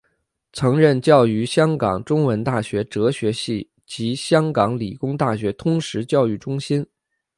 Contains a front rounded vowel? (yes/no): yes